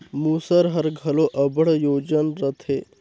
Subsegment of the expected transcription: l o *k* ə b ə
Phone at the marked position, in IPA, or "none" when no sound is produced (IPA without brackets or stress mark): ʔ